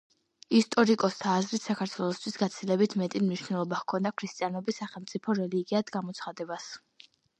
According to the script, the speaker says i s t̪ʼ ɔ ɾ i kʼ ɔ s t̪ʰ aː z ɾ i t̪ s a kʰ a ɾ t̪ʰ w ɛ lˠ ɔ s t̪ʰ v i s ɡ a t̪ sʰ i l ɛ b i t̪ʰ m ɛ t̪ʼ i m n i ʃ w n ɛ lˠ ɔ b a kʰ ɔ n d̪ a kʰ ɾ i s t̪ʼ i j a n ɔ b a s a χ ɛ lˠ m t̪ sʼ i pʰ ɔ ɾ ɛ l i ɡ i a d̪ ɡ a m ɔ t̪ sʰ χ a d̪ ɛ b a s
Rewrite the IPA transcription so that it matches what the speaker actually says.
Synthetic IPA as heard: i s t̪ʼ ɔ ɾ i kʼ ɔ s t̪ʰ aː z ɾ i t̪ s a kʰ a ɾ t̪ʰ w ɛ lˠ ɔ s t̪ʰ w i s ɡ a t̪ sʰ i l ɛ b i t̪ʰ m ɛ t̪ʼ i m n i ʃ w n ɛ lˠ ɔ b a kʰ ɔ n d̪ a kʰ ɾ i s t̪ʼ i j a n ɔ b i s a χ ɛ lˠ m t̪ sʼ i pʰ ɔ ɾ ɛ l i ɡ i a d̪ ɡ a m ɔ t̪ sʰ χ a d̪ ɛ b a s